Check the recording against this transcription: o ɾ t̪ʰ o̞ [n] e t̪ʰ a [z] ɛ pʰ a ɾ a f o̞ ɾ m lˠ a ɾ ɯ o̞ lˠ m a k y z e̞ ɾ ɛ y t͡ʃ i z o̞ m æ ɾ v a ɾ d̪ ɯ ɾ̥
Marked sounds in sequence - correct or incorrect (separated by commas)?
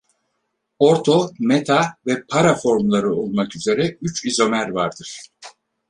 incorrect, incorrect